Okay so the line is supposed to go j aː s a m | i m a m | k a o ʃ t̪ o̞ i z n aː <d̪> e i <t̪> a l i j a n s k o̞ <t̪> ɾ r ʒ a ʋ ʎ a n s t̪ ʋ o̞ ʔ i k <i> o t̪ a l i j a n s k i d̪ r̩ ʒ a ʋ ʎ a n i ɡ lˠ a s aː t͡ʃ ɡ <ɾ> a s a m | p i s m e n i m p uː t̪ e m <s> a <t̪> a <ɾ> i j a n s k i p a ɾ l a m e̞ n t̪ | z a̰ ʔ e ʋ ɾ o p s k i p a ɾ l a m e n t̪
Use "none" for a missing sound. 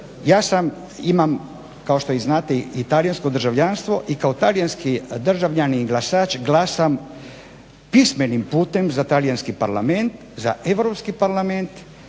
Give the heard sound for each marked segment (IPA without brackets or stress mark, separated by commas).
t̪, t̪, d̪, a, l, z, t̪, l